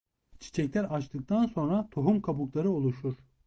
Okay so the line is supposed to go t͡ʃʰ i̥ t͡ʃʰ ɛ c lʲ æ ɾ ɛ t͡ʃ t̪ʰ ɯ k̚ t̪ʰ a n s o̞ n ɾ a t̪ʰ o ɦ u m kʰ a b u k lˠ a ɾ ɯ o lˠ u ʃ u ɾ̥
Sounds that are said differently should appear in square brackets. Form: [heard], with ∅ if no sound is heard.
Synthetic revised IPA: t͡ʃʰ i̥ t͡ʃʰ ɛ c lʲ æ ɾ [a] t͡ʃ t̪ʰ ɯ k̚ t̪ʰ a n s o̞ n ɾ a t̪ʰ o ɦ u m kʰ a b u k lˠ a ɾ ɯ o lˠ u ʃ u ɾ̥